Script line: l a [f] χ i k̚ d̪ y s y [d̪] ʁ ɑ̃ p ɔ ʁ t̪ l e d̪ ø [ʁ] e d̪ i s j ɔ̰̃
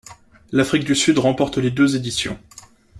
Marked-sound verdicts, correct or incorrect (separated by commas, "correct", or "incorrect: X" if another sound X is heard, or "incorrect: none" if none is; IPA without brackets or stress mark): correct, correct, incorrect: z